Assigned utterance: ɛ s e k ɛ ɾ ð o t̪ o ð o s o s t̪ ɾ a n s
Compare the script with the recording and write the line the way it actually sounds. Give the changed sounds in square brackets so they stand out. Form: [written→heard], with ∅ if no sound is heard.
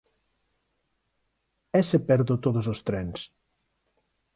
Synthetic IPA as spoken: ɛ s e [k→p] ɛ ɾ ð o t̪ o ð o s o s t̪ ɾ [a→ɛ] n s